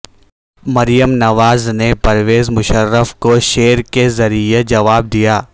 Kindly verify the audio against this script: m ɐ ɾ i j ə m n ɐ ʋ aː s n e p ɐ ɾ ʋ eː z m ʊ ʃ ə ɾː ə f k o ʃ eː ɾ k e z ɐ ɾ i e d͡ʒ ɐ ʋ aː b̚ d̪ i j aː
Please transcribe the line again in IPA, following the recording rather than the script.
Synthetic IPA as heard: m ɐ ɾ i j ə m n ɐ ʋ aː z n e p ɐ ɾ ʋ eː z m ʊ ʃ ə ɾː ə f k o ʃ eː ɾ k e z ɐ ɾ i e d͡ʒ ɐ ʋ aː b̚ d̪ i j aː